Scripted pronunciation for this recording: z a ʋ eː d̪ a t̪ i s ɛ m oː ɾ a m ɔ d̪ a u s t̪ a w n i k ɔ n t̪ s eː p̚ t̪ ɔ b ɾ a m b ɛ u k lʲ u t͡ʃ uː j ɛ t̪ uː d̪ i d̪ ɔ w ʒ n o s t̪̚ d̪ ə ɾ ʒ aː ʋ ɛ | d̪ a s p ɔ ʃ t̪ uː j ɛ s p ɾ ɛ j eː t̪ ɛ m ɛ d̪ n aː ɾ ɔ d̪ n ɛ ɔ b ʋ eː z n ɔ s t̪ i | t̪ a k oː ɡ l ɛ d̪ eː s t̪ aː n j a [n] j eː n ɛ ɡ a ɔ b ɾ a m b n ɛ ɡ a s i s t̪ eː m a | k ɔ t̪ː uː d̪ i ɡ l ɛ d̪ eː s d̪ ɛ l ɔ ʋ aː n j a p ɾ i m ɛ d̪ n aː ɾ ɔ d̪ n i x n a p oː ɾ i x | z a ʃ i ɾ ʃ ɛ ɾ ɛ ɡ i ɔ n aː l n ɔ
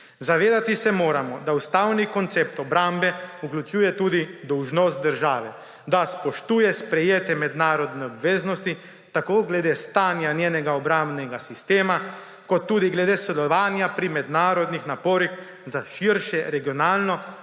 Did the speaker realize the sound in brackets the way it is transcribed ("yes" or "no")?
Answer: yes